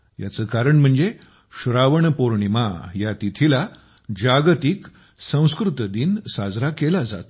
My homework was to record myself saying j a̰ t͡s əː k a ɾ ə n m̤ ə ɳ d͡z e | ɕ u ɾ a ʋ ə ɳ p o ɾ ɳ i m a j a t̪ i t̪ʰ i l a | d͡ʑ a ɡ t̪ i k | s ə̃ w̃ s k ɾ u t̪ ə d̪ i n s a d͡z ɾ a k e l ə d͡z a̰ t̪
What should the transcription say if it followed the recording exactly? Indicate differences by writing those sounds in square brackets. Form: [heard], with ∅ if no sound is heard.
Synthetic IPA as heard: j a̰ t͡s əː k a ɾ ə [ɳ] m̤ ə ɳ d͡z e | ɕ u ɾ a ʋ ə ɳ p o ɾ ɳ i m a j a t̪ i t̪ʰ i l a | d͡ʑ a ɡ t̪ i k | s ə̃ w̃ s k ɾ u t̪ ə d̪ i n s a d͡z ɾ a k e l [a] d͡z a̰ t̪